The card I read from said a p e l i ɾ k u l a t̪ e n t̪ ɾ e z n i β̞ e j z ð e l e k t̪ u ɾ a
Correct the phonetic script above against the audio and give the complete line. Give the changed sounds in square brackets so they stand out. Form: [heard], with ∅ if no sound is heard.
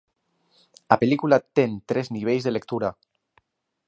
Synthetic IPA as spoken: a p e l i [∅] k u l a t̪ e n t̪ ɾ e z n i β̞ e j z ð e l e k t̪ u ɾ a